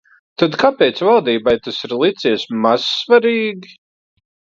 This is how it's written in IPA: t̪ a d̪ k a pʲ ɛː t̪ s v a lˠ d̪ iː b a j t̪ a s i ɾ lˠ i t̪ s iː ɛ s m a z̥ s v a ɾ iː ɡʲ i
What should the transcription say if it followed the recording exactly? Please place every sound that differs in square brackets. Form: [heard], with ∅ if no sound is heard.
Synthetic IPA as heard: t̪ a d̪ k a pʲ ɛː t̪ s v a lˠ d̪ iː b a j t̪ a s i ɾ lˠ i t̪ s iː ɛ s m a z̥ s v a ɾ iː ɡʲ i